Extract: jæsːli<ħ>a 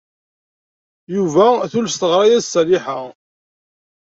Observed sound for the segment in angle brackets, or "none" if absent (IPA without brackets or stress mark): ħ